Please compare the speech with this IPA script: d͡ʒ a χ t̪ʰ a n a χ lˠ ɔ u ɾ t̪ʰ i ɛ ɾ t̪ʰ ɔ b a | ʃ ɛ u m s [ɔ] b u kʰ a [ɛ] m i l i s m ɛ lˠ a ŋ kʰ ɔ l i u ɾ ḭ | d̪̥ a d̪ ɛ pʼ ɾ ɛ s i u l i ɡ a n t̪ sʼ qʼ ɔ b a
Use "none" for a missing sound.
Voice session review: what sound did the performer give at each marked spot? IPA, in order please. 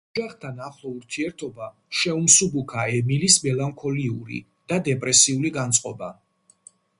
u, ɛ

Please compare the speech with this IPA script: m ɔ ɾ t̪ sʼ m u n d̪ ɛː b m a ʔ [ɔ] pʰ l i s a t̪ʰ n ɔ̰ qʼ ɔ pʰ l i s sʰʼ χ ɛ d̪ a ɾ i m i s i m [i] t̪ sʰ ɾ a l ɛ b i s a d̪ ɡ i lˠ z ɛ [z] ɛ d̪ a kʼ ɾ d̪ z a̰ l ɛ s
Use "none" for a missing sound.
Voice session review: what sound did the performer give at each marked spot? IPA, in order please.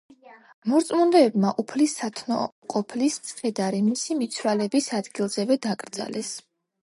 u, i, v

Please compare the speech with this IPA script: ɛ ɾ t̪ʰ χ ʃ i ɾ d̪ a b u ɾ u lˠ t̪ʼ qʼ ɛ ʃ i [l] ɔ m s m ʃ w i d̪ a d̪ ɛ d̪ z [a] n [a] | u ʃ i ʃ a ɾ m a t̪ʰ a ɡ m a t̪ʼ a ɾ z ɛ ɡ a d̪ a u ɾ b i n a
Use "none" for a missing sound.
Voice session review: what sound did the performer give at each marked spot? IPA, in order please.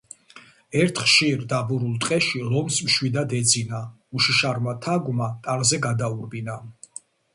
l, i, a

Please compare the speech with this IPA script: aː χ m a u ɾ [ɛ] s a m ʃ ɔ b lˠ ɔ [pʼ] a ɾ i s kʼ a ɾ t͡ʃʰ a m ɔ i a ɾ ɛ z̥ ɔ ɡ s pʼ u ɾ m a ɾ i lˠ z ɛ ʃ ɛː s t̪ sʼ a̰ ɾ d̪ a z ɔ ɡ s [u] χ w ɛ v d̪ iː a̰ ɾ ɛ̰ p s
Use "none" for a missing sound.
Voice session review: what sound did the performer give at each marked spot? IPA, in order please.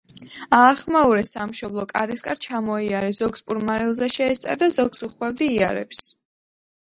ɛ, kʼ, u

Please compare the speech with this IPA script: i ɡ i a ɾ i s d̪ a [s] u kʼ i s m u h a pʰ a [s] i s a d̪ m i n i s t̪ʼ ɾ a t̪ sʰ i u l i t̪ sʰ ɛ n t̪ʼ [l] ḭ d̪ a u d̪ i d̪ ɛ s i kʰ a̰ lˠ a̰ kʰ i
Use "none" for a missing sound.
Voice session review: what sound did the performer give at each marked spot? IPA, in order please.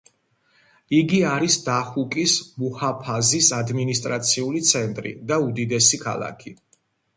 χ, z, ɾ

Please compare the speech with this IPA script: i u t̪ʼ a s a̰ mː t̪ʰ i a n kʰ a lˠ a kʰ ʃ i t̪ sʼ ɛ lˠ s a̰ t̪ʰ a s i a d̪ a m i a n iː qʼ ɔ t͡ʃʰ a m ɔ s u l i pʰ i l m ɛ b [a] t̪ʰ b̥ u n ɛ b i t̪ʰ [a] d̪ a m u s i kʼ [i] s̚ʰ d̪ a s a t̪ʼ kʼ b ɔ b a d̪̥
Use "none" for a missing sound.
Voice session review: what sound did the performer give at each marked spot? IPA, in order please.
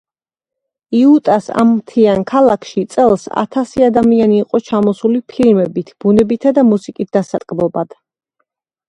i, a, i

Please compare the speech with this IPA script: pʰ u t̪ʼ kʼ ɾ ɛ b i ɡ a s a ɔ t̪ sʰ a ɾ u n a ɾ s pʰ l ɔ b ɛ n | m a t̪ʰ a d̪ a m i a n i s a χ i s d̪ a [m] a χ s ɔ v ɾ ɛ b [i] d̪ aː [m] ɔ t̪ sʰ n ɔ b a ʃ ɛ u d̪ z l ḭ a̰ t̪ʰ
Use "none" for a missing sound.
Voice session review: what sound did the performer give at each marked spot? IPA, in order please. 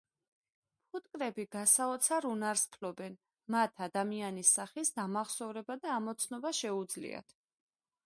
m, a, m

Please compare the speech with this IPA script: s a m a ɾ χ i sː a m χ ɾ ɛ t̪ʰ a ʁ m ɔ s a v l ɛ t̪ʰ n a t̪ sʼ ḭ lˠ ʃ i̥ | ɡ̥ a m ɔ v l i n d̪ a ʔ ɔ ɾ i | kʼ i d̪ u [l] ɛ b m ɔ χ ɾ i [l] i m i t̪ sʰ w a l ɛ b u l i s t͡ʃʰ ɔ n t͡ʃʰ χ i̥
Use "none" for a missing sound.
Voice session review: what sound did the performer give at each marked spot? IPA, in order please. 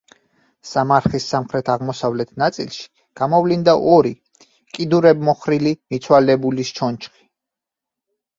ɾ, l

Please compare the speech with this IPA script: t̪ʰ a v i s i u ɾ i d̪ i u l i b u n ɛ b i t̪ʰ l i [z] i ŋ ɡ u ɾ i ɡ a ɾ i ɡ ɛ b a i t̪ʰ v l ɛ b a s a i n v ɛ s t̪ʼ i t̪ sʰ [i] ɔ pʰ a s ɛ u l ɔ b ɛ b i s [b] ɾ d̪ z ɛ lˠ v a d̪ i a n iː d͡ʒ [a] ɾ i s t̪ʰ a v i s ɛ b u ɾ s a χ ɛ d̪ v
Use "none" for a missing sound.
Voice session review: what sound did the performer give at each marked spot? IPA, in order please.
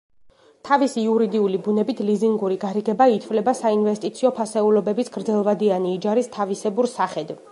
z, i, ɡ, a

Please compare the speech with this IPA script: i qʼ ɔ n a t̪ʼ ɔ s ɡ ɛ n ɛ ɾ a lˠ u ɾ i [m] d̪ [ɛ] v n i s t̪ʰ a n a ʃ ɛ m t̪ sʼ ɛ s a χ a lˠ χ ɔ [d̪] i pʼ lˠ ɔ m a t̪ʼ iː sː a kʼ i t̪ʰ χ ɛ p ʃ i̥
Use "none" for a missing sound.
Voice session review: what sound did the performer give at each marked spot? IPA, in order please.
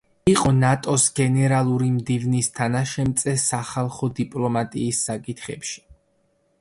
m, i, d̪

